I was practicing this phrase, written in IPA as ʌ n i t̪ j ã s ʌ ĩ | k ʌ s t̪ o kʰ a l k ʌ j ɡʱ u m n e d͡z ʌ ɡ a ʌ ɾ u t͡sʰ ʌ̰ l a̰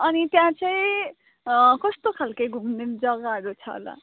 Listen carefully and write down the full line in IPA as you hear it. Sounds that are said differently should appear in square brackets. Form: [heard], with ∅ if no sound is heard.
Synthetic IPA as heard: ʌ n i t̪ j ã [t͡s] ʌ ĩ | k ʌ s t̪ o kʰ a l k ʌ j ɡʱ u m n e d͡z ʌ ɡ a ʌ ɾ u t͡sʰ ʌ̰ l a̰

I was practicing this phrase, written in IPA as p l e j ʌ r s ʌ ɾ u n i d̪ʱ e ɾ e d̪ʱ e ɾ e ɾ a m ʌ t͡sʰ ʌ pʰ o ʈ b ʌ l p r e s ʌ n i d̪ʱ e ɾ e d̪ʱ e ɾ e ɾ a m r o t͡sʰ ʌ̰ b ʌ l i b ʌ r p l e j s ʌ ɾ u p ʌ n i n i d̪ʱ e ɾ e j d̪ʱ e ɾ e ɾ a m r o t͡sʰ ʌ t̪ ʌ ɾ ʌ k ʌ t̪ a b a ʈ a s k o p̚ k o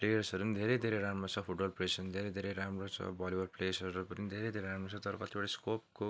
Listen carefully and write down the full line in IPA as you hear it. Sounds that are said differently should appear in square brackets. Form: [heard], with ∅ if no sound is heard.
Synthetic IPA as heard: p l e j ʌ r s ʌ ɾ u n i d̪ʱ e ɾ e d̪ʱ e ɾ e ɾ a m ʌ t͡sʰ ʌ pʰ [u] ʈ b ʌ l p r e s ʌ n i d̪ʱ e ɾ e d̪ʱ e ɾ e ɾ a m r o t͡sʰ ʌ̰ b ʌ l i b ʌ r p l e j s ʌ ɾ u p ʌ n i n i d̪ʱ e ɾ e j d̪ʱ e ɾ e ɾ a m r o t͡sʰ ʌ t̪ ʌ ɾ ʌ k ʌ t̪ [i] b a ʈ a s k o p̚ k o

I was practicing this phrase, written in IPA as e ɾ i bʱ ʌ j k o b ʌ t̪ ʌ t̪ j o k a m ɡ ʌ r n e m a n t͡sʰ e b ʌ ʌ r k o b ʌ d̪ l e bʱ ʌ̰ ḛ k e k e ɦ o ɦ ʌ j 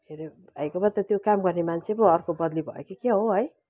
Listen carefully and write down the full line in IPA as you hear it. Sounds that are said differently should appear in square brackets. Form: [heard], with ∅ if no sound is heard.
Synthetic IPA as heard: e ɾ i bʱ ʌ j k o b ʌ t̪ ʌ t̪ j o k a m ɡ ʌ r n e m a n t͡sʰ e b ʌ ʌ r k o b ʌ d̪ l [i] bʱ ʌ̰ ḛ k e k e ɦ o ɦ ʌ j

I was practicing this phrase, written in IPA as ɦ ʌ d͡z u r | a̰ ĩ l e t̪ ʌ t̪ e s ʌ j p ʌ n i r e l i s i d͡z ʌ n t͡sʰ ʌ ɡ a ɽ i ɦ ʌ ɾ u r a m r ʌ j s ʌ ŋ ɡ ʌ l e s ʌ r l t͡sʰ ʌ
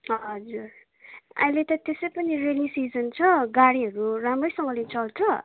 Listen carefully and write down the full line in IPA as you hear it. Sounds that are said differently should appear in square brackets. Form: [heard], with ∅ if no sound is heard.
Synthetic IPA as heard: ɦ ʌ d͡z u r | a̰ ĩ l e t̪ ʌ t̪ e s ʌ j p ʌ n i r e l i s i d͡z ʌ n t͡sʰ ʌ ɡ a ɽ i ɦ ʌ ɾ u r a m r ʌ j s ʌ ŋ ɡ ʌ l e [t͡s] ʌ [∅] l t͡sʰ ʌ

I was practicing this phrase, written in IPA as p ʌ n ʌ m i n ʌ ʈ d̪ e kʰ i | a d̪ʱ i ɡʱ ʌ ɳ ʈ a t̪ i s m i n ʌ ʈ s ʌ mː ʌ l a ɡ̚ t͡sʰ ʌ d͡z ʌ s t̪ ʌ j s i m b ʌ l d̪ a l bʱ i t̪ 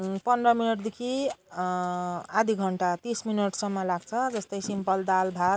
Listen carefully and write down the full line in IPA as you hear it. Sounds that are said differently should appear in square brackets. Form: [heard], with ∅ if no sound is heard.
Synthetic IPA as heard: p ʌ n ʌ m i n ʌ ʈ d̪ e kʰ i | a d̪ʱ i ɡʱ ʌ ɳ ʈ a t̪ i s m i n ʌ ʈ s ʌ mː ʌ l a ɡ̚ t͡sʰ ʌ d͡z ʌ s t̪ ʌ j s i m [p] ʌ l d̪ a l bʱ [a] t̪

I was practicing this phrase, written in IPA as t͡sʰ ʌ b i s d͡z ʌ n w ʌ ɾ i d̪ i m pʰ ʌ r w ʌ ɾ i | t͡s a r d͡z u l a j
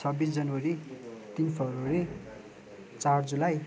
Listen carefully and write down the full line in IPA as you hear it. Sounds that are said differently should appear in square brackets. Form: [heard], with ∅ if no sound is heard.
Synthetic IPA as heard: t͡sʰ ʌ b i s d͡z ʌ n w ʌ ɾ i [t̪] i [n] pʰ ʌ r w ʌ ɾ i | t͡s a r d͡z u l a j

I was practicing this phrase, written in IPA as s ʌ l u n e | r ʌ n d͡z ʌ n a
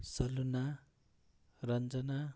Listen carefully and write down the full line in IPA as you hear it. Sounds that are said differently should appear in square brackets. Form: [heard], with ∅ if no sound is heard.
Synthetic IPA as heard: s ʌ l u n [a] | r ʌ n d͡z ʌ n a

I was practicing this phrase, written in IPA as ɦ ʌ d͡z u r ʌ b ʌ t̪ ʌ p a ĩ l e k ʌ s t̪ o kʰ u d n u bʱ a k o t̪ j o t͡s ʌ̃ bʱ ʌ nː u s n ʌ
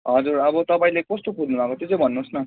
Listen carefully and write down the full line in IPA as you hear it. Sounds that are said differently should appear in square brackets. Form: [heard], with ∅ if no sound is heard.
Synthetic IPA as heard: ɦ ʌ d͡z u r ʌ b ʌ t̪ ʌ p a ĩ l e k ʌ s t̪ o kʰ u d n u bʱ a k o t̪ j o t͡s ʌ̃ bʱ ʌ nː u s n ʌ

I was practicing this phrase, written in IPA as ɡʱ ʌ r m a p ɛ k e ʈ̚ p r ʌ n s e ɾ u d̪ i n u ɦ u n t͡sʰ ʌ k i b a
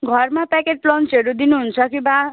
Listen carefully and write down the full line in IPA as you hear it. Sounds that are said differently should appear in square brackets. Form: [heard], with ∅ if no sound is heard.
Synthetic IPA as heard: ɡʱ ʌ r m a p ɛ k e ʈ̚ p [l] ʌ n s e ɾ u d̪ i n u ɦ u n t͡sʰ ʌ k i b a

